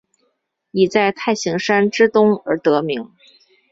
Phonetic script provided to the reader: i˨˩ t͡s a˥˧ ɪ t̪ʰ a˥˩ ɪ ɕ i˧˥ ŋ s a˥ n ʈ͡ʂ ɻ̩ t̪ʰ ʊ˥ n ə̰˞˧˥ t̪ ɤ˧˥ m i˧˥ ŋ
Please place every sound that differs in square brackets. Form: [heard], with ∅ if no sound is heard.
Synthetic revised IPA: i˨˩ t͡s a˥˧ ɪ t̪ʰ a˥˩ ɪ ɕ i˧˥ ŋ [ʂ] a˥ n ʈ͡ʂ ɻ̩ [t̪] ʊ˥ [ŋ] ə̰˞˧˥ t̪ ɤ˧˥ m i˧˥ ŋ